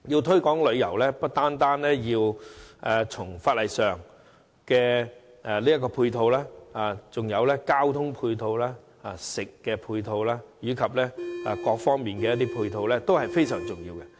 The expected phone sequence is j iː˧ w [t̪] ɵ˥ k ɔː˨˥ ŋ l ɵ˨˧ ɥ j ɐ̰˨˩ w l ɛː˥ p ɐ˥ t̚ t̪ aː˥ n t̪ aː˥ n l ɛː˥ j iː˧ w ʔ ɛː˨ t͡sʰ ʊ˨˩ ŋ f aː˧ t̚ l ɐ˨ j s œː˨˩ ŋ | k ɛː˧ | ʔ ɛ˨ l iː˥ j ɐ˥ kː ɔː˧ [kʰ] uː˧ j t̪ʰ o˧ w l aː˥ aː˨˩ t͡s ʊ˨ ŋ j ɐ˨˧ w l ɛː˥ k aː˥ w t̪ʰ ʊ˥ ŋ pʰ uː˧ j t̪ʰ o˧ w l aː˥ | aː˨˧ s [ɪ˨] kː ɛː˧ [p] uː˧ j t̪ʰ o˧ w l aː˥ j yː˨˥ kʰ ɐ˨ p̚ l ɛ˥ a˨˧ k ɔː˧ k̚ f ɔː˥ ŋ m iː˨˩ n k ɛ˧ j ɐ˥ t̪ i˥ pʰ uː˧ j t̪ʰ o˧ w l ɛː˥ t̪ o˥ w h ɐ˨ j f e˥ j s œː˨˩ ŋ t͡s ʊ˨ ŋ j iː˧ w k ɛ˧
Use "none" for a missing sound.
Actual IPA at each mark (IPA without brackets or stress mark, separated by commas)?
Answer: t̪ʰ, pʰ, ɪ˨, pʰ